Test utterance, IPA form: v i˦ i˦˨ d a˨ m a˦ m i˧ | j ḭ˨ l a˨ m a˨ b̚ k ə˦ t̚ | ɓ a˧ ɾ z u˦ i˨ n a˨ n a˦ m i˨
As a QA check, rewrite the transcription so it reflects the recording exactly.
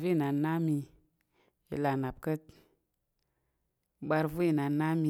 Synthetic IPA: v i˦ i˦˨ n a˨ n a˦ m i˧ | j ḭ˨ l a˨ n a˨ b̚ k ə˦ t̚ | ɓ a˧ ɾ v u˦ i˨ n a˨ n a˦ m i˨